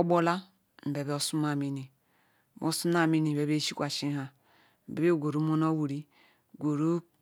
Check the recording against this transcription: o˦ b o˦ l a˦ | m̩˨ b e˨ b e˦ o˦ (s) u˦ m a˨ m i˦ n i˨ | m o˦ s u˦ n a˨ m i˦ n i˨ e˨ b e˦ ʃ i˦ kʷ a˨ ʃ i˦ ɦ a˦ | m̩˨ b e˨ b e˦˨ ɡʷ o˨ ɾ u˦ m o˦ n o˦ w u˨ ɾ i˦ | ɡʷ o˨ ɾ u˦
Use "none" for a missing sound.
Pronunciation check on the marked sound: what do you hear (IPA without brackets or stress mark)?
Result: s